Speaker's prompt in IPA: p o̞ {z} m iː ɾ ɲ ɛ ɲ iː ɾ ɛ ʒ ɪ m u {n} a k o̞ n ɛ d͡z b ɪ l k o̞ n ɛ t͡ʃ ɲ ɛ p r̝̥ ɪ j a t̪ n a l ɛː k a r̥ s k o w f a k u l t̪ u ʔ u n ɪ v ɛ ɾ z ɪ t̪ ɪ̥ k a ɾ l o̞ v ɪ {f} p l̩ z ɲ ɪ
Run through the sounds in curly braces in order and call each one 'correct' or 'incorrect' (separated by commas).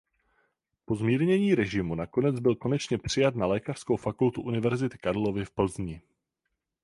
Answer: correct, correct, correct